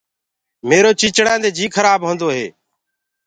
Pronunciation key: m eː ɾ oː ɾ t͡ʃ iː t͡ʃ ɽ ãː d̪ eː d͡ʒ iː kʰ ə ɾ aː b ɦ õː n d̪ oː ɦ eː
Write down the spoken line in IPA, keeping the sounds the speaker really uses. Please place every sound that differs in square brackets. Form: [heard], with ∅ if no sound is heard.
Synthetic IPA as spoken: m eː ɾ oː [∅] t͡ʃ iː t͡ʃ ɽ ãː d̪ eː d͡ʒ iː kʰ ə ɾ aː b ɦ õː n d̪ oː ɦ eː